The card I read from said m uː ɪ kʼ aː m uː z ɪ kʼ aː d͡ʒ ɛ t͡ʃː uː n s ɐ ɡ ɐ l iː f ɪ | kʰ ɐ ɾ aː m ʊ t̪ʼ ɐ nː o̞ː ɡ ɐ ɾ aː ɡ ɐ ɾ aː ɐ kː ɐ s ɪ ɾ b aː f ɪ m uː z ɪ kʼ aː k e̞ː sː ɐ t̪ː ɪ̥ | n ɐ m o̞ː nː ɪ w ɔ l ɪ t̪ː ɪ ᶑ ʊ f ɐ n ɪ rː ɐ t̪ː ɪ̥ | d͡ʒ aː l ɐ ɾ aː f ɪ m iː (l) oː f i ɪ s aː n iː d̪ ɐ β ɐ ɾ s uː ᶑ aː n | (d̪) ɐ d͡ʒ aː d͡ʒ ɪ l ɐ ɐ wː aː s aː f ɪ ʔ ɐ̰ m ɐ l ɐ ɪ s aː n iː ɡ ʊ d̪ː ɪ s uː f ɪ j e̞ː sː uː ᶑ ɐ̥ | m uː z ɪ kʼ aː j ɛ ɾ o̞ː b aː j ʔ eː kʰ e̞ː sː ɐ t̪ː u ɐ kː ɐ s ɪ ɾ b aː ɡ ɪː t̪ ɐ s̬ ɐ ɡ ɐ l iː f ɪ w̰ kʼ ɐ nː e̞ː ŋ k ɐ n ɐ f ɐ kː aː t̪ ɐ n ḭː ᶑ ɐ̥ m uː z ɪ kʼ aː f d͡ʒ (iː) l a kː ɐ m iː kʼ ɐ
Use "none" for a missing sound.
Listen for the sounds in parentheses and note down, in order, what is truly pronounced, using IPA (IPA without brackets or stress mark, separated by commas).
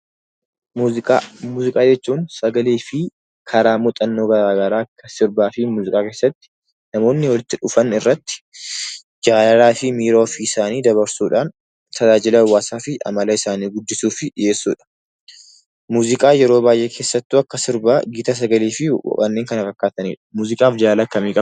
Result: ɾ, t̪, aː